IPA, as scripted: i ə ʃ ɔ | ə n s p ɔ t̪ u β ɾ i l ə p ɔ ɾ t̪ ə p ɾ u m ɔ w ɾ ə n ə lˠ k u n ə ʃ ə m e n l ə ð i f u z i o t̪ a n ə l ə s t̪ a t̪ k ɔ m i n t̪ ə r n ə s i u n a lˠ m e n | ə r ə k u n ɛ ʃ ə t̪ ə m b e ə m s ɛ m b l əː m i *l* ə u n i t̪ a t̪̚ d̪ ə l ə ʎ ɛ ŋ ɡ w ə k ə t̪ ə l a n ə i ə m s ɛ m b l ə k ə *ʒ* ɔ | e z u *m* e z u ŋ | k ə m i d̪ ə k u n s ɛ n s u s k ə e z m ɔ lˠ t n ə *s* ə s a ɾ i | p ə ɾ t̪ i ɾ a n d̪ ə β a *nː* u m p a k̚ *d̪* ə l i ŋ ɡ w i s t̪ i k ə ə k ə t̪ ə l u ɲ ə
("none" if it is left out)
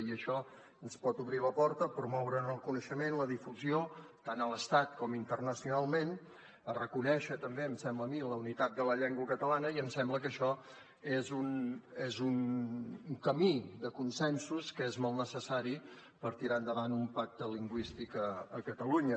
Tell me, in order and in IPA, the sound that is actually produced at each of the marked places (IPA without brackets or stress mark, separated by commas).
l, ʃ, n, s, n, t̪